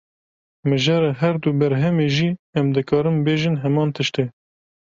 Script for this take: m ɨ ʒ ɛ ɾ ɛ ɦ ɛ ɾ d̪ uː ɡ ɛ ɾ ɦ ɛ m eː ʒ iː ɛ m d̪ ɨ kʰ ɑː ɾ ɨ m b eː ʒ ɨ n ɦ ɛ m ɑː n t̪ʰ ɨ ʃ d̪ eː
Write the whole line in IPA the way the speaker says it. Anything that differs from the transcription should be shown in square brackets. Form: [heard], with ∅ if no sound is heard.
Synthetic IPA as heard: m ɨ ʒ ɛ ɾ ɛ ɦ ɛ ɾ d̪ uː [b] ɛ ɾ ɦ ɛ m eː ʒ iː ɛ m d̪ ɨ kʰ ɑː ɾ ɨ m b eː ʒ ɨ n ɦ ɛ m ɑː n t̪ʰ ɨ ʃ [t̪] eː